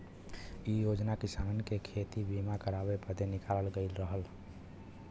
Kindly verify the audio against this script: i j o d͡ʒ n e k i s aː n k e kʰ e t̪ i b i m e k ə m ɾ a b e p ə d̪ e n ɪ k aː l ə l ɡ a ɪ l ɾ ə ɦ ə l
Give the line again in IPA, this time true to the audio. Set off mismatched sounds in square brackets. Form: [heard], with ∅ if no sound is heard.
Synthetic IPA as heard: i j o d͡ʒ n [a] k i s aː n k e kʰ e t̪ i b i m [a] k ə [∅] ɾ a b e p ə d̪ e n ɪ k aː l ə l ɡ [ə] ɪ l ɾ ə ɦ ə l